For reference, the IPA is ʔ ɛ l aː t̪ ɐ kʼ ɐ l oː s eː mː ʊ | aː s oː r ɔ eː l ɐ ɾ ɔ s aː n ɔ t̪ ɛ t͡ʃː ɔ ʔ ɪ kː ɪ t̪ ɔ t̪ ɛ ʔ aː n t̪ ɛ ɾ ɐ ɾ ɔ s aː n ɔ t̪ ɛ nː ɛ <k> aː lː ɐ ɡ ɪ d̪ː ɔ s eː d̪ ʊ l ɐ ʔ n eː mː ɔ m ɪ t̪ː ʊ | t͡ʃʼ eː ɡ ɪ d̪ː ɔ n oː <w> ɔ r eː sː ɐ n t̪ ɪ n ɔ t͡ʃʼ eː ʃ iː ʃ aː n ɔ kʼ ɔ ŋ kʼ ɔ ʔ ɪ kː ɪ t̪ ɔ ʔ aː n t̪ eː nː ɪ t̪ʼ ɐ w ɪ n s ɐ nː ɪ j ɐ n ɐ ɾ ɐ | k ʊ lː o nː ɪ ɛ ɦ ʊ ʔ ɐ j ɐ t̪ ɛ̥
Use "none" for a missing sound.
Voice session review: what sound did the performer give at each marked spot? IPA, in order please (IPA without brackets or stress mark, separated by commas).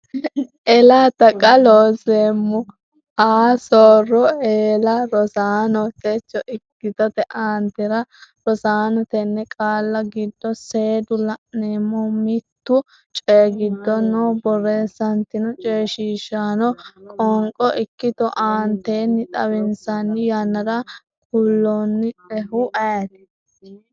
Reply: kʼ, b